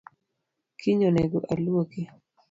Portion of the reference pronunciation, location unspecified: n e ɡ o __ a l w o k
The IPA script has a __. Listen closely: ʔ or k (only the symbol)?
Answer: ʔ